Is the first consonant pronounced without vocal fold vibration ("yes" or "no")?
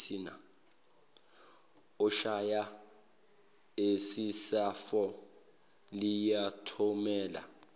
no